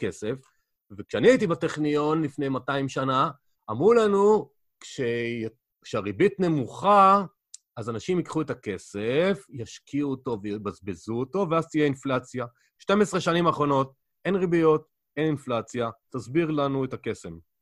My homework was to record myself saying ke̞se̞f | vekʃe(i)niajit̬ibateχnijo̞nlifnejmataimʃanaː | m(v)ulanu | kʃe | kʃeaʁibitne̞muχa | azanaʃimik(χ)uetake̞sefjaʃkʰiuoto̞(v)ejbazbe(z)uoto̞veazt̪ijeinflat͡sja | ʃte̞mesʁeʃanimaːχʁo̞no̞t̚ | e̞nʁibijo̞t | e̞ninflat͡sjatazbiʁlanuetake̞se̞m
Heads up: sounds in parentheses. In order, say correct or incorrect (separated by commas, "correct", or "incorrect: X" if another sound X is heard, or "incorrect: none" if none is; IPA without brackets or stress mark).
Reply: incorrect: a, incorrect: ʁ, correct, correct, correct